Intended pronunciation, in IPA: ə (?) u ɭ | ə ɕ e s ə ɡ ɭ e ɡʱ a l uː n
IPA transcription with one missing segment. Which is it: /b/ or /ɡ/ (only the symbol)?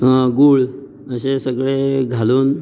ɡ